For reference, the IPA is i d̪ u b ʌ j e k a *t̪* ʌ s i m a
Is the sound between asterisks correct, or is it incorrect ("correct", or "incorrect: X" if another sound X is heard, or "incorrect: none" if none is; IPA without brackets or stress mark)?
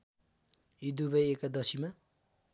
incorrect: d̪